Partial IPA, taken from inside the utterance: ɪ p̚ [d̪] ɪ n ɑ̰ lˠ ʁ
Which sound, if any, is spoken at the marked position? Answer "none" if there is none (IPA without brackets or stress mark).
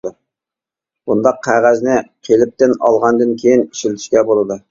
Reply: t̪